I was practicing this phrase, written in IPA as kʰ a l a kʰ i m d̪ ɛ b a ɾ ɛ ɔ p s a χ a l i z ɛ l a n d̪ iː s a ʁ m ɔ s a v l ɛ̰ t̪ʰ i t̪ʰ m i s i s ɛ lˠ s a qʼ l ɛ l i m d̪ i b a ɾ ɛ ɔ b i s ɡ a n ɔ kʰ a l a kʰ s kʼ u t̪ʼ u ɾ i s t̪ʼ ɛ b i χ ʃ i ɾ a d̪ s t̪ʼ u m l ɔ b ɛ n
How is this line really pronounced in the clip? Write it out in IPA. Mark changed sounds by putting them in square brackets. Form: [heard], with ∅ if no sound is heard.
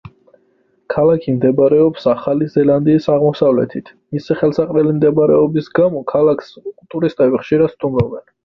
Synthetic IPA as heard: kʰ a l a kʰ i m d̪ ɛ b a ɾ ɛ ɔ p s a χ a l i z ɛ l a n d̪ iː s a ʁ m ɔ s a v l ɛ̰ t̪ʰ i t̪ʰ m i s i [χ] ɛ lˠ s a qʼ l ɛ l i m d̪ [ɛ] b a ɾ ɛ ɔ b i s ɡ a [m] ɔ kʰ a l a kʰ s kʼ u t̪ʼ u ɾ i s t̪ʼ ɛ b i χ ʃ i ɾ a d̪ s t̪ʼ u m [ɾ] ɔ b ɛ n